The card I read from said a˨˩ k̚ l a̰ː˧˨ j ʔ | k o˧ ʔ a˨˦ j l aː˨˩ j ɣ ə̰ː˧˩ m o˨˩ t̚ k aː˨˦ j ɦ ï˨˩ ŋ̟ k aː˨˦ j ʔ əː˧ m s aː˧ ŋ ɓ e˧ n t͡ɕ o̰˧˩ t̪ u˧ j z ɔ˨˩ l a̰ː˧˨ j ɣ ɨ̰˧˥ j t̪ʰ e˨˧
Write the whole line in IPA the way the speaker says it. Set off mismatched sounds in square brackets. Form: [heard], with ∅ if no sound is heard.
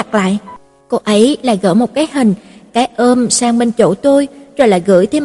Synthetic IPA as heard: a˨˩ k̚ l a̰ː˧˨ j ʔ | k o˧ ʔ [ə˨˦] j l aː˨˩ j ɣ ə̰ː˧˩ m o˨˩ t̚ k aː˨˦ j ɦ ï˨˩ ŋ̟ k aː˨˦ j ʔ əː˧ m s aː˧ ŋ ɓ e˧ n t͡ɕ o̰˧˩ t̪ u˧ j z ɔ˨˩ l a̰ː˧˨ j ɣ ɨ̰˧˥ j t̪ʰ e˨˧